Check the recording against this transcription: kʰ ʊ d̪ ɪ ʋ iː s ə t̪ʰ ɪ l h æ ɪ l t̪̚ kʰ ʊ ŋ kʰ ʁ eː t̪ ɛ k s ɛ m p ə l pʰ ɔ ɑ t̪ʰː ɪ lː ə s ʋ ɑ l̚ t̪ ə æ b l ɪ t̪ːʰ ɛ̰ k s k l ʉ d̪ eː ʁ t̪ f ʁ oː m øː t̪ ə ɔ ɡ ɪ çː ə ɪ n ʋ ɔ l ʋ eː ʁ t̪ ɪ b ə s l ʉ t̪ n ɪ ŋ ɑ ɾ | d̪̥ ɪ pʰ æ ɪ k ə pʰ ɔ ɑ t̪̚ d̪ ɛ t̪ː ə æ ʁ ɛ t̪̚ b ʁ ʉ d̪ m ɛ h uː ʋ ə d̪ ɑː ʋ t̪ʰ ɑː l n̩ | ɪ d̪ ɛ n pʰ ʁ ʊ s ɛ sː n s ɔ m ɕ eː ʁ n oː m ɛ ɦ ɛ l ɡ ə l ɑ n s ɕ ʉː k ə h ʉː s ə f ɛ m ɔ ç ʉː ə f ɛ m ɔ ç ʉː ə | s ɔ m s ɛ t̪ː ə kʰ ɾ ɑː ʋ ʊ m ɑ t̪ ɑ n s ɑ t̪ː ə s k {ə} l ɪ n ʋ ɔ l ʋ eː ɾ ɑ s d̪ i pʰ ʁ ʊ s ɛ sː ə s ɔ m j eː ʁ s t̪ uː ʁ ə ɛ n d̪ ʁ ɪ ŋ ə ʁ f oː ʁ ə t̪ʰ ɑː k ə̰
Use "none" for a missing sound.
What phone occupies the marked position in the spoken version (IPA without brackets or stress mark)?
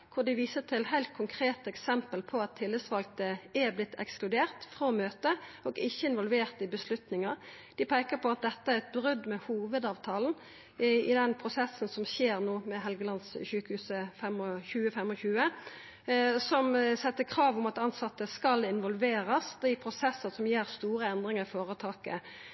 ɑ